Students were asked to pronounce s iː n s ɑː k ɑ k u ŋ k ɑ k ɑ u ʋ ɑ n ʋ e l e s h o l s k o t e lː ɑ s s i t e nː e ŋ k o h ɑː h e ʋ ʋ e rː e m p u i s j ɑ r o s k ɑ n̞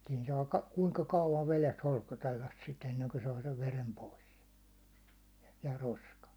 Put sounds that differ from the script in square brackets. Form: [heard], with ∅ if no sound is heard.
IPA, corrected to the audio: s iː n s ɑː k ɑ k u ŋ k ɑ k ɑ u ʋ ɑ n ʋ e l e s h o l s k o t e lː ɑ s s i t e nː e ŋ k o [s] ɑː [s] e ʋ ʋ e [r] e m p [o] i s j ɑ r o s k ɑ n̞